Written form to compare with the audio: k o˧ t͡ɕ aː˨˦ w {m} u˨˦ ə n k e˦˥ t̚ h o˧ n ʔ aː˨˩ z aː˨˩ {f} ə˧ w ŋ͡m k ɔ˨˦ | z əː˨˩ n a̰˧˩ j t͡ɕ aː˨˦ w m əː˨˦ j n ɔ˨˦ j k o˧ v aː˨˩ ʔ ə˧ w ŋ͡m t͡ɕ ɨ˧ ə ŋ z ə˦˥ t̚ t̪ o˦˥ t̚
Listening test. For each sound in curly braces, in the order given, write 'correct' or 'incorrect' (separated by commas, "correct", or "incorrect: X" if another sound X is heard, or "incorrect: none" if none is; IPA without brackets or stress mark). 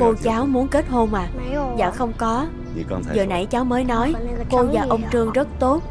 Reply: correct, incorrect: x